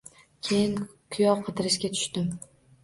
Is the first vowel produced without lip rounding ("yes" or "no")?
yes